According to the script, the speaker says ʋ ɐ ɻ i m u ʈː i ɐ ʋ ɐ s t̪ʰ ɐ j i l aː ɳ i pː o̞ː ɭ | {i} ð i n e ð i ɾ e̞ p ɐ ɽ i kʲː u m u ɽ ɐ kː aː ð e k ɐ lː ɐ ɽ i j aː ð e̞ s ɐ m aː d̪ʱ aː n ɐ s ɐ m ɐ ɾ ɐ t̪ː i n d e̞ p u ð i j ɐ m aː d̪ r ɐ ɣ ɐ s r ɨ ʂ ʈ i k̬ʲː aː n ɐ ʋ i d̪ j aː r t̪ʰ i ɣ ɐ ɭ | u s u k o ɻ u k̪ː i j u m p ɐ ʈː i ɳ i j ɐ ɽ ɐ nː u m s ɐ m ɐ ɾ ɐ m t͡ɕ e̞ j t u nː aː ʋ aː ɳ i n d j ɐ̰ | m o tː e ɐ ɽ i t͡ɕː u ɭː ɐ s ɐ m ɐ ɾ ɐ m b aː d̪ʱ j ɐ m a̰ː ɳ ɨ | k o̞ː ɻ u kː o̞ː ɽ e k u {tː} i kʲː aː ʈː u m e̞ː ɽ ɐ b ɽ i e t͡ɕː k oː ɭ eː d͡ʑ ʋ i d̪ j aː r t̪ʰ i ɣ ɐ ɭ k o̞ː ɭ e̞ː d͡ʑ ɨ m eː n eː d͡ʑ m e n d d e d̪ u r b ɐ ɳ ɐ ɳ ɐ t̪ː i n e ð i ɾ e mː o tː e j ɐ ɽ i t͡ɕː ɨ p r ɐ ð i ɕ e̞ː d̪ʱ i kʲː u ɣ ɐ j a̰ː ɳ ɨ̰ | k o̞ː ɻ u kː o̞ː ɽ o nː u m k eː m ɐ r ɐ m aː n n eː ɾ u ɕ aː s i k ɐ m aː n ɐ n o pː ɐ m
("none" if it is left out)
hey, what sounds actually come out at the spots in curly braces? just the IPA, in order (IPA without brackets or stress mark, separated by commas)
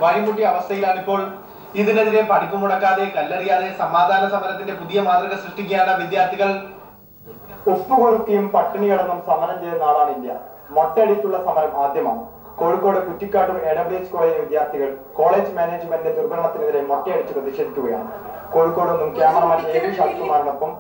i, tː